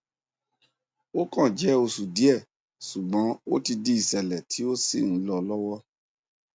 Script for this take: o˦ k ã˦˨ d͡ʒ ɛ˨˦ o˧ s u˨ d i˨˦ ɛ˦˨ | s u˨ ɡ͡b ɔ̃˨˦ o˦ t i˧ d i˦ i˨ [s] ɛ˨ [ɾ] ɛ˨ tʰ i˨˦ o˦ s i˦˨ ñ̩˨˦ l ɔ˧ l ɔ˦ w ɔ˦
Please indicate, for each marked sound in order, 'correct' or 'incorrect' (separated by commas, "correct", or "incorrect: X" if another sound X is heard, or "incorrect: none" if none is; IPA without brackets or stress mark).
correct, incorrect: l